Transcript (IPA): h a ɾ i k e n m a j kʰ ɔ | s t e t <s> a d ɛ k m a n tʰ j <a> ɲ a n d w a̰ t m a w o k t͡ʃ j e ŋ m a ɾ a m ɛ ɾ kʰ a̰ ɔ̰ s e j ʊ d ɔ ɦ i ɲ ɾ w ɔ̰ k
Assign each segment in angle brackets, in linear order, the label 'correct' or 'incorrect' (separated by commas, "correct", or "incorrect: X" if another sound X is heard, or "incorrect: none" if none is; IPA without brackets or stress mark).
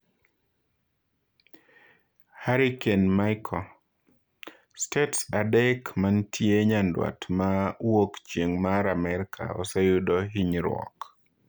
correct, incorrect: e